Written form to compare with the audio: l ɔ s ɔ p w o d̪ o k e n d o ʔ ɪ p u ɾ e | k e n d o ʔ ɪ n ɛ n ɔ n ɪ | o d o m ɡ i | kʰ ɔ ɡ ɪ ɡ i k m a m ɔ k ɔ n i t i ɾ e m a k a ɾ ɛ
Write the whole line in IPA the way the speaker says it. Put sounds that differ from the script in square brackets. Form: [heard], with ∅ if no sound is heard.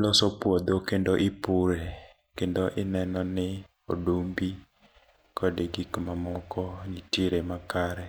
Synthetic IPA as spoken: l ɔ s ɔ p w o d̪ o k e n d o ʔ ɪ p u ɾ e | k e n d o ʔ ɪ n ɛ n ɔ n ɪ | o d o m [b] i | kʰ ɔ [d] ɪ ɡ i k m a m ɔ k ɔ n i t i ɾ e m a k a ɾ ɛ